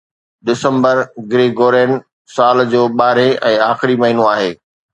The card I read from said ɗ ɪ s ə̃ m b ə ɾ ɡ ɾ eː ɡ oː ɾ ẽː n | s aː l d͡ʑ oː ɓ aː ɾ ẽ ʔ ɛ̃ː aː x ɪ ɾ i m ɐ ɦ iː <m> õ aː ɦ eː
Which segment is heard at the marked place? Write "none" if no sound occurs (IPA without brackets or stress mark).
n